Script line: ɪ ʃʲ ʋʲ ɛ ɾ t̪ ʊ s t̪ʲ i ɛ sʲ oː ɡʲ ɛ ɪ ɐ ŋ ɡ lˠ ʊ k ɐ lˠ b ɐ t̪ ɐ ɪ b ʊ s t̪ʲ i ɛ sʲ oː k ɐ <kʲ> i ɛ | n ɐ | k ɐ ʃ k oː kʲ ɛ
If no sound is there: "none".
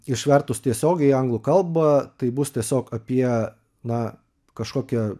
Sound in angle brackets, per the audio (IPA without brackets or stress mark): pʲ